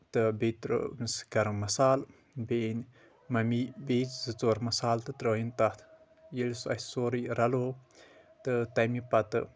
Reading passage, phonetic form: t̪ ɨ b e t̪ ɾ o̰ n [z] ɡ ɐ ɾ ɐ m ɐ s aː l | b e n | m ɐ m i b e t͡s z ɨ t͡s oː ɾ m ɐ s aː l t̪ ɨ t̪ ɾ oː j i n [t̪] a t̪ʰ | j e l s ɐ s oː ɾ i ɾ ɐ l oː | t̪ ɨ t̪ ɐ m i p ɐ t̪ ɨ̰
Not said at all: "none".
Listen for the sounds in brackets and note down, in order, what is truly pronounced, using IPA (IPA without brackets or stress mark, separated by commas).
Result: s, t̪